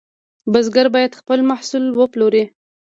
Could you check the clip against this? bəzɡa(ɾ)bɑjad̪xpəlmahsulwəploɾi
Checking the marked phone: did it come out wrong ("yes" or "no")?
no